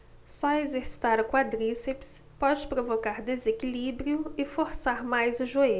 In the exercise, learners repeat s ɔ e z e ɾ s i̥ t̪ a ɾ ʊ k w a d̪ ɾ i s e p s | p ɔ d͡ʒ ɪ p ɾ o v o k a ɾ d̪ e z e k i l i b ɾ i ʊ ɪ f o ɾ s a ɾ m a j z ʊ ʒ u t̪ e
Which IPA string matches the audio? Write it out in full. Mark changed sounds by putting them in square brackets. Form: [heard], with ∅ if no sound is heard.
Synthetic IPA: s ɔ e z e ɾ s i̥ t̪ a ɾ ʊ k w a d̪ ɾ i s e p s | p ɔ d͡ʒ ɪ p ɾ o v o k a ɾ d̪ e z e k i l i b ɾ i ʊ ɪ f o ɾ s a ɾ m a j z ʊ ʒ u [∅] e